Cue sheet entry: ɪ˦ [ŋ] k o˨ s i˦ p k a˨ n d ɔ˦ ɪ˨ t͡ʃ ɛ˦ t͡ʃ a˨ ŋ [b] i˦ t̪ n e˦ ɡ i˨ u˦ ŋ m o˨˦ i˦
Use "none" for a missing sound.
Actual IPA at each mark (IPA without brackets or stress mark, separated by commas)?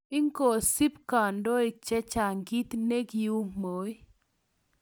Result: ŋ, ɡ